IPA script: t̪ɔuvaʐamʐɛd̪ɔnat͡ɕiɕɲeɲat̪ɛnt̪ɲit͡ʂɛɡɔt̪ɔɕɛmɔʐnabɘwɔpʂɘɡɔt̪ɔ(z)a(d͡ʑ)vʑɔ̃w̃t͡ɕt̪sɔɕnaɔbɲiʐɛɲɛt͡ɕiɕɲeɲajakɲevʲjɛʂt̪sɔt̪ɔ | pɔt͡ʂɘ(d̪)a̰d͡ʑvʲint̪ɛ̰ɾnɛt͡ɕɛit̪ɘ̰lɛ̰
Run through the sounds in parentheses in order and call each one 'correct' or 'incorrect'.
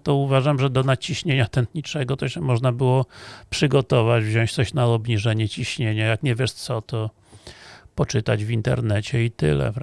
incorrect: v, correct, incorrect: t̪

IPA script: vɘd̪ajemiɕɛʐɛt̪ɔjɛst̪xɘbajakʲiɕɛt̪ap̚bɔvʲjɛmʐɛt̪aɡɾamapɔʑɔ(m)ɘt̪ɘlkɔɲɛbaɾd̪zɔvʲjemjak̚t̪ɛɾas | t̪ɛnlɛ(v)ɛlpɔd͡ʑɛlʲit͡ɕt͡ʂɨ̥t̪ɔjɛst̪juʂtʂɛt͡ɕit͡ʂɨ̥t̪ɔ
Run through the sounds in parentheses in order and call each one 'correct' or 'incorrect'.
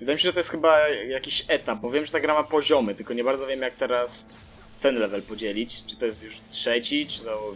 correct, correct

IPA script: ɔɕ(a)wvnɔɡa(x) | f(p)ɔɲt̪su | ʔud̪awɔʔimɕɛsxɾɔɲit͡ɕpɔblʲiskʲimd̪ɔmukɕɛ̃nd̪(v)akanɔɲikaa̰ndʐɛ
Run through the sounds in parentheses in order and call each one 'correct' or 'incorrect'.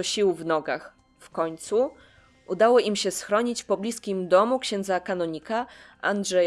incorrect: i, correct, incorrect: k, incorrect: z

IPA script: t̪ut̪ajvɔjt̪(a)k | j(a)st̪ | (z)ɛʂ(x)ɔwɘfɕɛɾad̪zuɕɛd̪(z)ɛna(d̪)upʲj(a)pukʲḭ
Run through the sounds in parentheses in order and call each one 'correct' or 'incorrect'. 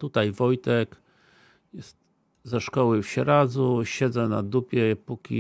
incorrect: ɛ, incorrect: ɛ, correct, incorrect: k, correct, correct, incorrect: ɛ

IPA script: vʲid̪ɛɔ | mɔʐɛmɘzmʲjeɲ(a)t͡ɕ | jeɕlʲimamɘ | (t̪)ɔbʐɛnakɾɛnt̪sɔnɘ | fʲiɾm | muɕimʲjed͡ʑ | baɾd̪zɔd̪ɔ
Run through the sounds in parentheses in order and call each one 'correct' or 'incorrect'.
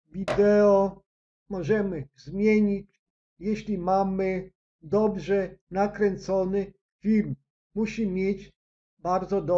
incorrect: i, incorrect: d̪

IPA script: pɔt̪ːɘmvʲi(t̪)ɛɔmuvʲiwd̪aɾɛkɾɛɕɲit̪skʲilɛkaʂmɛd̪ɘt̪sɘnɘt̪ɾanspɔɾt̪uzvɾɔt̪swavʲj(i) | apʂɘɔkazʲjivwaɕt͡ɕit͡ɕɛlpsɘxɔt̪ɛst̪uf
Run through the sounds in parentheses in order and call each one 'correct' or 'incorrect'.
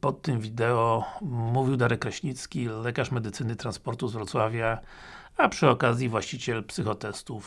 incorrect: d̪, incorrect: a

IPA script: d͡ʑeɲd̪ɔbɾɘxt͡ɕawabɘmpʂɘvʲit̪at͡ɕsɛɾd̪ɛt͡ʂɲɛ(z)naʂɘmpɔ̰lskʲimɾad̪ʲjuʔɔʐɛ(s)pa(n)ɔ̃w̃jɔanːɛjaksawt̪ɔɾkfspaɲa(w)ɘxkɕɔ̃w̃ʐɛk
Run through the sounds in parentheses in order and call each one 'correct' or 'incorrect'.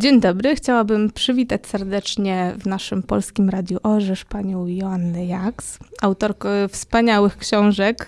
incorrect: v, incorrect: ʂ, incorrect: ɲ, correct

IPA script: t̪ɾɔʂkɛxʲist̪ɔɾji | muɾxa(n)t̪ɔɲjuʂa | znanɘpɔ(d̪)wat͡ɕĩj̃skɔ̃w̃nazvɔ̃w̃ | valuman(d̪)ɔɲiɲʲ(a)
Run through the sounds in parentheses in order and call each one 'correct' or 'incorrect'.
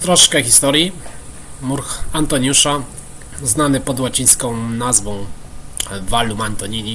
correct, correct, incorrect: t̪, incorrect: i

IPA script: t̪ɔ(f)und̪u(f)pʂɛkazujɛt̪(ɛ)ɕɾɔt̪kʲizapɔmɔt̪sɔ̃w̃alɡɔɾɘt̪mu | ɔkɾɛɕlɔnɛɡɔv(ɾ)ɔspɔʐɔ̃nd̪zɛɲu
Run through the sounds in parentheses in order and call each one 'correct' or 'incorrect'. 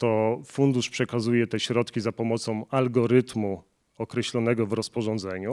correct, incorrect: ʂ, correct, correct

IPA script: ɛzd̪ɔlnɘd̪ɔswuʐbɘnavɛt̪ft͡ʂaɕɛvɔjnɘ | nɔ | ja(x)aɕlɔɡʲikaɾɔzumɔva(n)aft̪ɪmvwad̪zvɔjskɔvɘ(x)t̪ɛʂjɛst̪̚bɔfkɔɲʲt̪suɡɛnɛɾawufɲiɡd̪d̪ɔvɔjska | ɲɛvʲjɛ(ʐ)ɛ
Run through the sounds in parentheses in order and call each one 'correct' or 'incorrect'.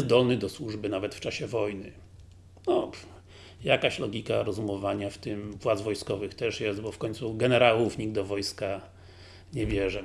incorrect: k, incorrect: ɲ, correct, correct

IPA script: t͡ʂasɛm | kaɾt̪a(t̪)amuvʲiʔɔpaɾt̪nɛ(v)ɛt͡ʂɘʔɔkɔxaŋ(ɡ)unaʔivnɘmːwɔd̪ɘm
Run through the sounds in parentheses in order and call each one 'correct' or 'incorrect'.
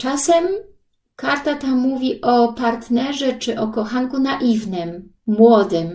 correct, incorrect: ʐ, incorrect: k

